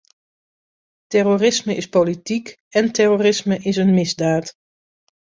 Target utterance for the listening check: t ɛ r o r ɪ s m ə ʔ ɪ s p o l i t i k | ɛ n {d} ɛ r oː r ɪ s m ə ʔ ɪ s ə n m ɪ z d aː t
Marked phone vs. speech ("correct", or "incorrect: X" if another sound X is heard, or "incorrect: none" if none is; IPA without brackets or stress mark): incorrect: t